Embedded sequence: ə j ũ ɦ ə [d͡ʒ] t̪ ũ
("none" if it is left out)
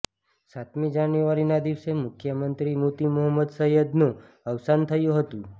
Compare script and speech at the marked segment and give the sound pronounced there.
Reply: none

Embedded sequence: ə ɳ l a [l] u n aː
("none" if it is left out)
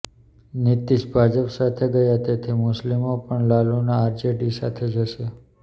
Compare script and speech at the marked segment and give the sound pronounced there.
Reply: l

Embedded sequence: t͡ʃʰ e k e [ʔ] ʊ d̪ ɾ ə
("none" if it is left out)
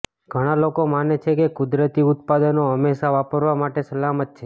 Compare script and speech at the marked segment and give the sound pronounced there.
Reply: k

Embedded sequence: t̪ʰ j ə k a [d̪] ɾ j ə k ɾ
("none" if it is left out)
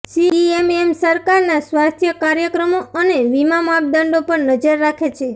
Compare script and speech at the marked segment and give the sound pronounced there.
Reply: none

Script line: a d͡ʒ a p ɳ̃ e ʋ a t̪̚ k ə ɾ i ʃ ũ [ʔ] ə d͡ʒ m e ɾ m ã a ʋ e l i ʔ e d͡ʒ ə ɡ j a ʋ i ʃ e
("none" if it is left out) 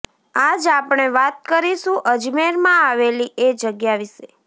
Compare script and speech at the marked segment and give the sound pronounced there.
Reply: ʔ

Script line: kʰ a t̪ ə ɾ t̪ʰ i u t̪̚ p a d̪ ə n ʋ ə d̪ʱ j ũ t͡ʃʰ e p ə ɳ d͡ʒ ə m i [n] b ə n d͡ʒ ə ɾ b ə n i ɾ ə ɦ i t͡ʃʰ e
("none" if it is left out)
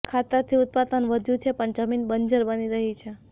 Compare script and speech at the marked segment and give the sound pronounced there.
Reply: n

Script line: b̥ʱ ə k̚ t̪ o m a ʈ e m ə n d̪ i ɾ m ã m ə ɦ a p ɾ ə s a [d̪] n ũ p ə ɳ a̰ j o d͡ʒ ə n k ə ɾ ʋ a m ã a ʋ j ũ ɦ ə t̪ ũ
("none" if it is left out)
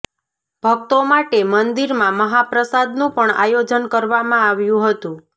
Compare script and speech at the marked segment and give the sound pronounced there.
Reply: d̪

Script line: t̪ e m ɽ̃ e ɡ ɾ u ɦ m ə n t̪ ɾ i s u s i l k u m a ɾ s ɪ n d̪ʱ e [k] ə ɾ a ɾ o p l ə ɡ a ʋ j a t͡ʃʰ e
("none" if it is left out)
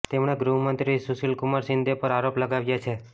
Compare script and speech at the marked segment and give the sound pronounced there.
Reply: p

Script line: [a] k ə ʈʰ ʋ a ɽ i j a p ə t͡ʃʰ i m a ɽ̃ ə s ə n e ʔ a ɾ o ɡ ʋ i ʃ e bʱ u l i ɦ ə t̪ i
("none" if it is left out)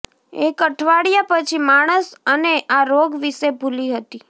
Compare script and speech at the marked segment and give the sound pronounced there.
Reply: e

